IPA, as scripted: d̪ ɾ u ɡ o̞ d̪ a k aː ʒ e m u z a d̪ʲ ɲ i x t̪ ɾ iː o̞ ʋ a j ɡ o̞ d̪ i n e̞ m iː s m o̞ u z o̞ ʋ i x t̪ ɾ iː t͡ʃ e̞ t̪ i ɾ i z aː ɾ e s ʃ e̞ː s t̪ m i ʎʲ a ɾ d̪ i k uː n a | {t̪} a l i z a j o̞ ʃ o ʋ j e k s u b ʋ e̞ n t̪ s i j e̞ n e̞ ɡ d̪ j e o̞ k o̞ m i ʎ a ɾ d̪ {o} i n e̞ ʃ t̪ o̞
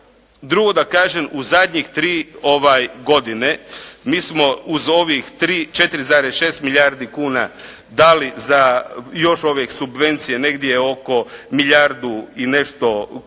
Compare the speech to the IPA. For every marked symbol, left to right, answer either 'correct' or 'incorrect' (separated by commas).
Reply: incorrect, incorrect